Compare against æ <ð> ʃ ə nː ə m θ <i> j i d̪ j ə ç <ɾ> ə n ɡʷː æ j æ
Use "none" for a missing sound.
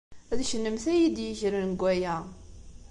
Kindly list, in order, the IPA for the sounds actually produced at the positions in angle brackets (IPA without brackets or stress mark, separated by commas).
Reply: ð, æ, ɾ